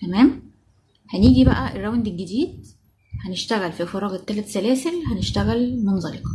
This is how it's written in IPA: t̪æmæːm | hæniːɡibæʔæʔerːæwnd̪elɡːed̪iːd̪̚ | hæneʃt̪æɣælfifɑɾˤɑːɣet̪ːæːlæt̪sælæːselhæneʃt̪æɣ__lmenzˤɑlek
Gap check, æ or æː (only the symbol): æ